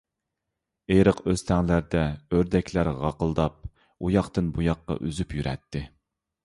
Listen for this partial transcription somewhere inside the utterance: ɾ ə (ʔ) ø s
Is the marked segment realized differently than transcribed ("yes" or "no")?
yes